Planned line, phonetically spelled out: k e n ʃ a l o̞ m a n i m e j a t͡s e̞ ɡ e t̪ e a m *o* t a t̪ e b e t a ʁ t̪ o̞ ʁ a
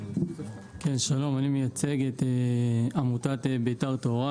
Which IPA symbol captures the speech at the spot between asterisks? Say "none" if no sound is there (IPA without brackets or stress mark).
u